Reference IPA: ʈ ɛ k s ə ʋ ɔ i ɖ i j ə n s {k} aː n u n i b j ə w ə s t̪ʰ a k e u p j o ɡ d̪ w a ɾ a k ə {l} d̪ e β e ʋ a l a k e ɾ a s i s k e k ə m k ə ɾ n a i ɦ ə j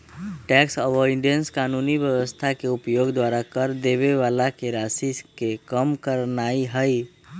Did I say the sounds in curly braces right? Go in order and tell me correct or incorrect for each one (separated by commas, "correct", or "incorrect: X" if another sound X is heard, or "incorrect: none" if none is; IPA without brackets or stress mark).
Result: correct, incorrect: ɾ